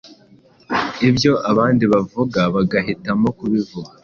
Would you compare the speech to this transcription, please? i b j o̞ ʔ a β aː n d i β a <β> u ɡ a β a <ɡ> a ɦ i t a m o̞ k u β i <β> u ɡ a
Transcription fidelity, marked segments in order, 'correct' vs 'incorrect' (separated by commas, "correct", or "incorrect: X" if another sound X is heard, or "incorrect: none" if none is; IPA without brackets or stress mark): incorrect: v, correct, incorrect: v